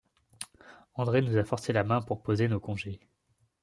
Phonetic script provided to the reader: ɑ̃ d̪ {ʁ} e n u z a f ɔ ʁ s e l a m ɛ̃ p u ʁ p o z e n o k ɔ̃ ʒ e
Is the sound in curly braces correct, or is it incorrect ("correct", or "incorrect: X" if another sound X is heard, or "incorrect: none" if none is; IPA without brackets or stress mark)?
correct